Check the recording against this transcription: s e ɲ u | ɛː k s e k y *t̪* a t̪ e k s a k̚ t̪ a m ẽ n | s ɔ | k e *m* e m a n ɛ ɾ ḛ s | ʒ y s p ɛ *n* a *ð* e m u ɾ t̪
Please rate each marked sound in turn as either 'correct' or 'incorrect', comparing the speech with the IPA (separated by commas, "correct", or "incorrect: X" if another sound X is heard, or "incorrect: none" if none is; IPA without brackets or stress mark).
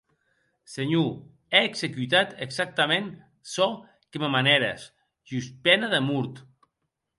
correct, correct, correct, correct